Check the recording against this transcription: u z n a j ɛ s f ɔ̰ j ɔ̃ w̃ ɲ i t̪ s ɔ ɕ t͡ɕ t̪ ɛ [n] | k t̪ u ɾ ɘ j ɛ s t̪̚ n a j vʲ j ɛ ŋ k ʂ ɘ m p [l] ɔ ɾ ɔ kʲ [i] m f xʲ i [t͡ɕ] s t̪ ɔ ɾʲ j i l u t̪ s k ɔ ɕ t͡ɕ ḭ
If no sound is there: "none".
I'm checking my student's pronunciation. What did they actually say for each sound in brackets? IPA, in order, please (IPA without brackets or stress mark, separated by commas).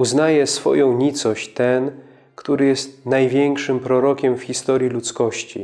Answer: n, ɾ, ɛ, none